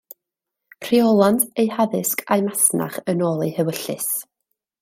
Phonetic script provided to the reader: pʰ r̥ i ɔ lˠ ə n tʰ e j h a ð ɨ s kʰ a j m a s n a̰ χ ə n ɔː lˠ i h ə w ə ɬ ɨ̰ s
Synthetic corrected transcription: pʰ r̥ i ɔ lˠ a n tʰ e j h a ð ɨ s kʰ a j m a s n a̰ χ ə n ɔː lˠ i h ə w ə ɬ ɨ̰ s